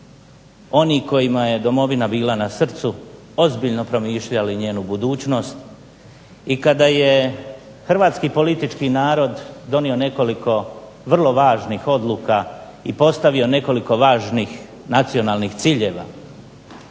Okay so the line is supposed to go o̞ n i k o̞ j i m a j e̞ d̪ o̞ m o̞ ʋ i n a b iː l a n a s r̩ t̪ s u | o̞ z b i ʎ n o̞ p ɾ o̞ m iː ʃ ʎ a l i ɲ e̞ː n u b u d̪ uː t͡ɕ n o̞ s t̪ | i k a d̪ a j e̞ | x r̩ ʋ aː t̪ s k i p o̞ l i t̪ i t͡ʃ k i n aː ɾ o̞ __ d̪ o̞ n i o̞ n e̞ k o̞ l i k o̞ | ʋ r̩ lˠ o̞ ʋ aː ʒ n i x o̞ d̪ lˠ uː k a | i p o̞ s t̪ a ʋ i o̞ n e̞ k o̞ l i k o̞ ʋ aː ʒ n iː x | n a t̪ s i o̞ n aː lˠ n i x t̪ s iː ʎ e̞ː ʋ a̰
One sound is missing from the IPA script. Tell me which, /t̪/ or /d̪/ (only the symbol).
d̪